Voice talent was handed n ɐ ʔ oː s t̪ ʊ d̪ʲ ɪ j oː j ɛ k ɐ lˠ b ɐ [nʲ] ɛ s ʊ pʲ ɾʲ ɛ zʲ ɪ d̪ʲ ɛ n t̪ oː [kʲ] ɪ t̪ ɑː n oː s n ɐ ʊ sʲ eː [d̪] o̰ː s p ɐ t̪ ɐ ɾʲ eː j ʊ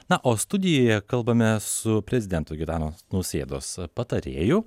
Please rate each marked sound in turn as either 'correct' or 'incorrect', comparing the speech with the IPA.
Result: incorrect: mʲ, incorrect: ɡʲ, correct

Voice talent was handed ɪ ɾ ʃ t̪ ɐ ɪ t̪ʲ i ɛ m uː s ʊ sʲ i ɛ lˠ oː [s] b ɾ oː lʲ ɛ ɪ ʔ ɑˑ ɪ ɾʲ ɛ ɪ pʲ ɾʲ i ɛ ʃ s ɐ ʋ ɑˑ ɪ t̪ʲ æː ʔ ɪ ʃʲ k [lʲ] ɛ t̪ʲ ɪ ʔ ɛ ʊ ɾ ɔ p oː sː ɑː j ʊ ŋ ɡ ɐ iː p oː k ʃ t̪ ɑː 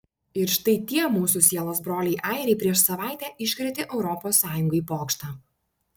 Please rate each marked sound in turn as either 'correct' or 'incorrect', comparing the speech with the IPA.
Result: correct, incorrect: ɾʲ

